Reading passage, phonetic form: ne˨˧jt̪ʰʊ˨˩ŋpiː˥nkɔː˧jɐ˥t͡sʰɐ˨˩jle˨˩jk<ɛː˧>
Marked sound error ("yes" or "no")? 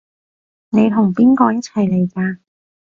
yes